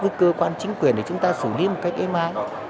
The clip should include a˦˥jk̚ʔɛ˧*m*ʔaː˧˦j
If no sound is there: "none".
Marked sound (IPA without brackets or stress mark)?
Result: m